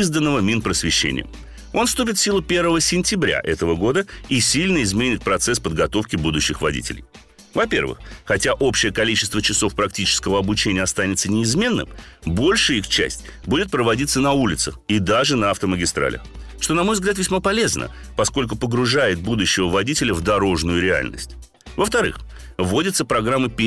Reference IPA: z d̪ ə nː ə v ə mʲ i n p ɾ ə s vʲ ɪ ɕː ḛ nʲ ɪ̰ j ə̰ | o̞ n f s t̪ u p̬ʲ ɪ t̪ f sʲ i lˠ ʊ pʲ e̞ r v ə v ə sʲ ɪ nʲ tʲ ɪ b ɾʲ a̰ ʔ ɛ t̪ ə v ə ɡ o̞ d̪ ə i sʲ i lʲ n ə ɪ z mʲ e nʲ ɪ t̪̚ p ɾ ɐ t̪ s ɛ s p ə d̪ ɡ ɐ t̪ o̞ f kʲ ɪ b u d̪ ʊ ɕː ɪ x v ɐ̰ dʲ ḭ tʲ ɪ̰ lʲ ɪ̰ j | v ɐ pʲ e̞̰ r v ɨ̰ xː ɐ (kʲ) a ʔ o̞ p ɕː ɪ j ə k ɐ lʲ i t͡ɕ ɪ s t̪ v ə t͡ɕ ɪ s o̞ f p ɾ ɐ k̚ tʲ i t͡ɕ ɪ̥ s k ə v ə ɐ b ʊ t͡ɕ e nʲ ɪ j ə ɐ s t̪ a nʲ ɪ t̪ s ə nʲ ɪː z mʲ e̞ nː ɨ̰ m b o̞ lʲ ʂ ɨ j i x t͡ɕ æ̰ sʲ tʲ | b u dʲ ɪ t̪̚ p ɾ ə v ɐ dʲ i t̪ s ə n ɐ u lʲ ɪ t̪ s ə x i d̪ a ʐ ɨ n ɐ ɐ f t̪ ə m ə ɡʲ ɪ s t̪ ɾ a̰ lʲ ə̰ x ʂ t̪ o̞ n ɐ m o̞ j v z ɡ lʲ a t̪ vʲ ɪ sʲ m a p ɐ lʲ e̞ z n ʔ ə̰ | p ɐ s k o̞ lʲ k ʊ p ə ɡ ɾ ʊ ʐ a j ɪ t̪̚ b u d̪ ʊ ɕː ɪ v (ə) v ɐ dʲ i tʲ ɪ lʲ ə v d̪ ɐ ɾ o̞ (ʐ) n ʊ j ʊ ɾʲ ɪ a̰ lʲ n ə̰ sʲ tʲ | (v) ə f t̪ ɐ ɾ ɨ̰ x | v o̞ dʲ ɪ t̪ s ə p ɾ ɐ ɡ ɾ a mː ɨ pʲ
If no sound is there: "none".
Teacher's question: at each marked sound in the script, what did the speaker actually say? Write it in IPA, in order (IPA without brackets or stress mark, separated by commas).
tʲ, ə, ʐ, v